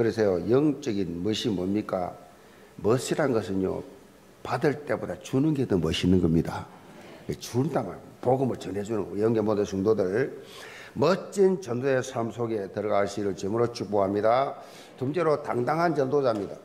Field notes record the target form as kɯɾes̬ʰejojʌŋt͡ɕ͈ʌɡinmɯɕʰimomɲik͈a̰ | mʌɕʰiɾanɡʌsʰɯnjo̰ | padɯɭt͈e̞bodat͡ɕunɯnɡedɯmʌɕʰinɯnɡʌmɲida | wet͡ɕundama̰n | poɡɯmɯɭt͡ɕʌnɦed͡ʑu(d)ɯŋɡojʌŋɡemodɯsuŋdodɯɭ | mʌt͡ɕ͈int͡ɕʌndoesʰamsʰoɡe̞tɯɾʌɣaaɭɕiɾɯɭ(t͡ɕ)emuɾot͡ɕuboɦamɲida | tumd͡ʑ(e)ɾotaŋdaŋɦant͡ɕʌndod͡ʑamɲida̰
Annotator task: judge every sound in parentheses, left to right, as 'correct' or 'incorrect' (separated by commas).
incorrect, correct, correct